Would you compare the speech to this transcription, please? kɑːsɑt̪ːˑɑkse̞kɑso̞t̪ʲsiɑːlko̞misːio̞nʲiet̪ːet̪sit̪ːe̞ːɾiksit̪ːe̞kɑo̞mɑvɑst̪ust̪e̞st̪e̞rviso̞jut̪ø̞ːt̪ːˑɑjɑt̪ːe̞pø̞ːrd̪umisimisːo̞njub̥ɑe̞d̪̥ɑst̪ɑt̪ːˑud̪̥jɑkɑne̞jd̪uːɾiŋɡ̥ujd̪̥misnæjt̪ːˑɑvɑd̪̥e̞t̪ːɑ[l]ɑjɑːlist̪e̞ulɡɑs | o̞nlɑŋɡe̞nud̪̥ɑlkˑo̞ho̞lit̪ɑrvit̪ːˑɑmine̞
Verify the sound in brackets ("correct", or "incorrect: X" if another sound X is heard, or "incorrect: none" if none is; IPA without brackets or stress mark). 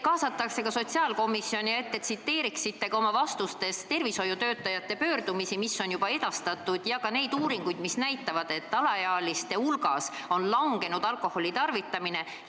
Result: correct